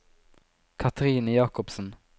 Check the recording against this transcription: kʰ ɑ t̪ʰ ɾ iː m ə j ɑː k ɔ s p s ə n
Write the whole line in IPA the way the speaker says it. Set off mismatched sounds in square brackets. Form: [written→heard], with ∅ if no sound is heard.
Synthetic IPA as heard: kʰ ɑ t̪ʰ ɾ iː [m→n] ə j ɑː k ɔ [s→∅] p s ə n

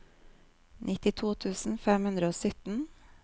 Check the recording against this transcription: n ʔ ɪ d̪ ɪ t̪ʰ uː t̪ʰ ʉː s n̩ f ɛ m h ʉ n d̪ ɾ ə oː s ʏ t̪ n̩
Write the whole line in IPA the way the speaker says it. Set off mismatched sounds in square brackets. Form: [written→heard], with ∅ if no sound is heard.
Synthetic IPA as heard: n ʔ ɪ [d̪→t̪] ɪ t̪ʰ uː t̪ʰ ʉː s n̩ f ɛ m h ʉ n d̪ ɾ ə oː s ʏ t̪ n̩

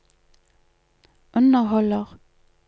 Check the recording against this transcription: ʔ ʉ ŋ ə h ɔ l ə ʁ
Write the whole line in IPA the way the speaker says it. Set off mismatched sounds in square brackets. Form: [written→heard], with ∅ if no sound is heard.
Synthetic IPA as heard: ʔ ʉ [ŋ→n] ə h ɔ l ə ʁ

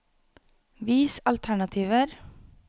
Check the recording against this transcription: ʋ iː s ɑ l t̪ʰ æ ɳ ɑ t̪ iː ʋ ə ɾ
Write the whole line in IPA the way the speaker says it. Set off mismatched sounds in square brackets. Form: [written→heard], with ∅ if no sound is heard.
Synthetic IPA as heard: ʋ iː s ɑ l t̪ʰ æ ɳ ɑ [t̪→t̪ʰ] iː ʋ ə ɾ

